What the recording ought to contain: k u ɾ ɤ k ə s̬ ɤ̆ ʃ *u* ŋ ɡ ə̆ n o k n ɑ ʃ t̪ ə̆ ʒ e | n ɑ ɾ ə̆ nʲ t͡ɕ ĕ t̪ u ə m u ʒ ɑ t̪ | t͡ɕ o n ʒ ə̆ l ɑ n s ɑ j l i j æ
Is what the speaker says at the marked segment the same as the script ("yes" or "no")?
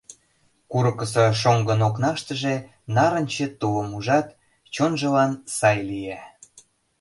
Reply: no